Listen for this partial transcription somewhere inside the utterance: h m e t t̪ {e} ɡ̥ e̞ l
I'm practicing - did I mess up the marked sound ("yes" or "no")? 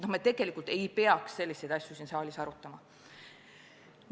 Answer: no